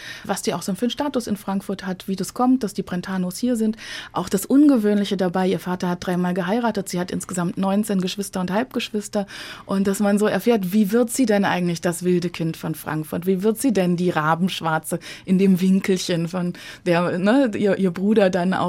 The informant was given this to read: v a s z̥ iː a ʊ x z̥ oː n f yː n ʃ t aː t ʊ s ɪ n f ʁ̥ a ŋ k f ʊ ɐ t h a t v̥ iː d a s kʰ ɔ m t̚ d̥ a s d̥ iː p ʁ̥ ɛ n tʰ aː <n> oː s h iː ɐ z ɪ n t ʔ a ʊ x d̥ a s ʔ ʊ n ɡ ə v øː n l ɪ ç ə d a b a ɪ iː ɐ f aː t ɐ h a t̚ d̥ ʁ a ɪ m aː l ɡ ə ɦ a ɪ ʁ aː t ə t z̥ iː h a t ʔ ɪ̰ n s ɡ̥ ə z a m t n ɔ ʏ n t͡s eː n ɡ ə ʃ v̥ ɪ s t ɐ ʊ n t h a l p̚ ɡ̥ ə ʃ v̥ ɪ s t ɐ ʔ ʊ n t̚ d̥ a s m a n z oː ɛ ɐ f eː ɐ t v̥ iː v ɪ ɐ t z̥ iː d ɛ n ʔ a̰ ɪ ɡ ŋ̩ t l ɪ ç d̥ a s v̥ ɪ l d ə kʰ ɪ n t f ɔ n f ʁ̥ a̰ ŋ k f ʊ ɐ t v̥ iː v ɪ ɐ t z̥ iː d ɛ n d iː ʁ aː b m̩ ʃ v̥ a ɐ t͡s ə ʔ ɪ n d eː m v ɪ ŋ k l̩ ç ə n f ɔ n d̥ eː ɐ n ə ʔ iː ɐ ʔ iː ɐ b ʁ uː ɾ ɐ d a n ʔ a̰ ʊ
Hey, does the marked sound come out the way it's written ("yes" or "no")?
yes